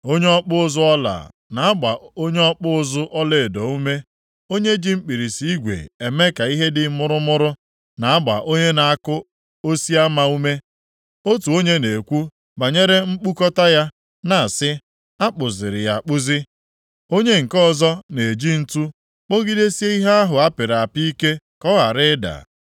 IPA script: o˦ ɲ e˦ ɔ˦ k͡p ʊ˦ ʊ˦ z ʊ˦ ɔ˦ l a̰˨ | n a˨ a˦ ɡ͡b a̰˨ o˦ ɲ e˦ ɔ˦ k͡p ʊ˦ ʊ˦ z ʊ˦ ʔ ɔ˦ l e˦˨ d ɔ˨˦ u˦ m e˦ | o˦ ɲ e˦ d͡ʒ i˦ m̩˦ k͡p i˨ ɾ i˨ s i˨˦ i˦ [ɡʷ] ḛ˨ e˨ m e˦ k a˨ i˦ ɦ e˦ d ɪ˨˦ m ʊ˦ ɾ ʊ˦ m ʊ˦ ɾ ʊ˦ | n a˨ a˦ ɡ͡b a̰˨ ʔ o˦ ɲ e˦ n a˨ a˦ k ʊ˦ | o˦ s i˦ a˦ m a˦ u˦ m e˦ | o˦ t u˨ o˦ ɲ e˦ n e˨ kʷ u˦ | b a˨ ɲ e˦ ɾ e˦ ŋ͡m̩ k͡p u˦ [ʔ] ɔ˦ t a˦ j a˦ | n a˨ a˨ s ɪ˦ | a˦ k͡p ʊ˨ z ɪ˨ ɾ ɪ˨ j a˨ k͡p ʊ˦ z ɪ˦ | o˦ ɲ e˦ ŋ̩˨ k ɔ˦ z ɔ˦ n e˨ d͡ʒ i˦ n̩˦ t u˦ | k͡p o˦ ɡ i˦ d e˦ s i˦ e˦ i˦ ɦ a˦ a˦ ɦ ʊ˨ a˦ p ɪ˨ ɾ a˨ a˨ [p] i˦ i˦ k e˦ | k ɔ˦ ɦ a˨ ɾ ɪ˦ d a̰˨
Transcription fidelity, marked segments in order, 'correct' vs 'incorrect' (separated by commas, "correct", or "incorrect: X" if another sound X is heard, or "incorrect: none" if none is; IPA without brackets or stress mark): correct, incorrect: k, correct